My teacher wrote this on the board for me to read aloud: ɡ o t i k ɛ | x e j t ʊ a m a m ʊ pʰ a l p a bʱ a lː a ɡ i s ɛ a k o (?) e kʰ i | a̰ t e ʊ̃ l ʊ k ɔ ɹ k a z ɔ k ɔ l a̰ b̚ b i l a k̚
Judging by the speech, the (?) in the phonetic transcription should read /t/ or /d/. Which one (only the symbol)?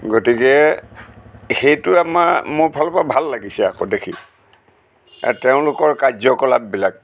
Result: d